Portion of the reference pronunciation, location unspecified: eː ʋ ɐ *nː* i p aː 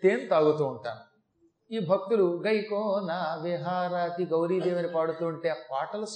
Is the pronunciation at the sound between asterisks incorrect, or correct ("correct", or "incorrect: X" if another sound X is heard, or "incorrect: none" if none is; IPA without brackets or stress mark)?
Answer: incorrect: n